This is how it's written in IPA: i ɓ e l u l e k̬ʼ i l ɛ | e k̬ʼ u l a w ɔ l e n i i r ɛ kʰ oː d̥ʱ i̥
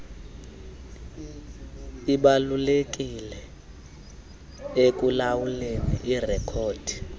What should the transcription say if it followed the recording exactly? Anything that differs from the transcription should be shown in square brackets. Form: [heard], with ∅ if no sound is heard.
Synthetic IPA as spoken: i ɓ [a] l u l e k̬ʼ i l ɛ | e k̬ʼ u l a w [u] l e n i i r ɛ kʰ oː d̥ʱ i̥